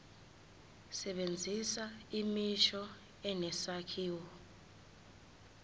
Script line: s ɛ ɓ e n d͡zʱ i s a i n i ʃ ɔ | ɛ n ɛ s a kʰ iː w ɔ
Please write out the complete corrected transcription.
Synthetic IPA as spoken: s ɛ ɓ e n d͡zʱ i s a i m i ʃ ɔ | ɛ n ɛ s a kʰ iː w ɔ